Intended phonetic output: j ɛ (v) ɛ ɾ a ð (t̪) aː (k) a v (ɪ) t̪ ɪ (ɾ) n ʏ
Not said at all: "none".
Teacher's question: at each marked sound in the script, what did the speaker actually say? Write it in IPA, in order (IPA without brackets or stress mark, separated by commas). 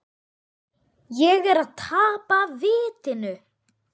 ɣ, t̪ʰ, p, ɪː, none